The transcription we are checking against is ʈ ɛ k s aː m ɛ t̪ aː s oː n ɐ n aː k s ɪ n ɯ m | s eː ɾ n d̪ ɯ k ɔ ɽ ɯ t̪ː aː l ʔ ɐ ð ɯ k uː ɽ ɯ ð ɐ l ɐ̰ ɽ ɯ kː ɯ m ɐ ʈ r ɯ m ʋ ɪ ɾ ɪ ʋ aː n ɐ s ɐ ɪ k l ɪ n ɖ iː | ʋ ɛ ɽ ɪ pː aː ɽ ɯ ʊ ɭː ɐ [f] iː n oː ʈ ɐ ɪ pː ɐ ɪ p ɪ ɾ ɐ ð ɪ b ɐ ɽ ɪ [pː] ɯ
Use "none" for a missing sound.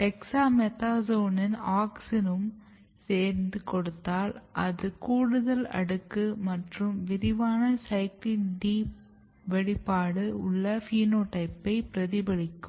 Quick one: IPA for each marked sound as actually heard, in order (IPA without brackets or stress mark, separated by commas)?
f, kː